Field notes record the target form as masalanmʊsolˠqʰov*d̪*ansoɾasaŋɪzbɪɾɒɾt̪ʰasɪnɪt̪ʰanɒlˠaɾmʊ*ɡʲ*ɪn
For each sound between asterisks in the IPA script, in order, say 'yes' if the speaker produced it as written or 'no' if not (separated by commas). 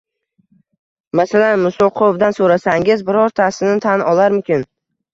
yes, no